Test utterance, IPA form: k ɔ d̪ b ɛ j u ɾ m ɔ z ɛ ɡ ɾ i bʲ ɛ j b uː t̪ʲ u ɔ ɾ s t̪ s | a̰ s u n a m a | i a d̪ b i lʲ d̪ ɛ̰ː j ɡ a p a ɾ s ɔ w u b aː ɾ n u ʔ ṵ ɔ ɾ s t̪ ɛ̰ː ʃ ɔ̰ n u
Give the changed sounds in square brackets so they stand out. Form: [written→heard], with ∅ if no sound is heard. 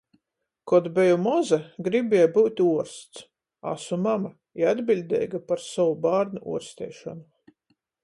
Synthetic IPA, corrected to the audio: k ɔ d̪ b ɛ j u [ɾ→∅] m ɔ z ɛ ɡ ɾ i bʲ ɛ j b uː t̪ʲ u ɔ ɾ s t̪ s | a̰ s u [n→m] a m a | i a d̪ b i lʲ d̪ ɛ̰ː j ɡ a p a ɾ s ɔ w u b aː ɾ n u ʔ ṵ ɔ ɾ s t̪ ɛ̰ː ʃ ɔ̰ n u